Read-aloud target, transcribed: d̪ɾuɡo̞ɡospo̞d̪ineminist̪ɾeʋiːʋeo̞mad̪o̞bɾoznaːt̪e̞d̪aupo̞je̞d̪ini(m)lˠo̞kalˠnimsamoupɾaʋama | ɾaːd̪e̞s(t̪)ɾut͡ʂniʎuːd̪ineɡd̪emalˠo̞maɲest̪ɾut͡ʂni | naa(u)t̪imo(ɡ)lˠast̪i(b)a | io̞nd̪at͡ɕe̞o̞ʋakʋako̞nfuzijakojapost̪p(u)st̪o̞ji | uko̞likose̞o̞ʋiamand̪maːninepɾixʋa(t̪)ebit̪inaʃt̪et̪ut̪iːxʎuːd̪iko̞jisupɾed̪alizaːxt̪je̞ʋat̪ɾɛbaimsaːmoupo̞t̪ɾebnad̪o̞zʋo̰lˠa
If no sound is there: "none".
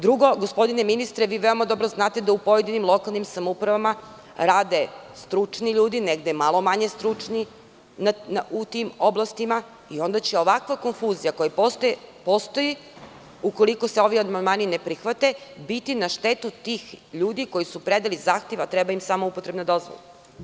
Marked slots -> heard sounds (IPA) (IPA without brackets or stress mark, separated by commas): m, t̪, u, b, m, o, t̪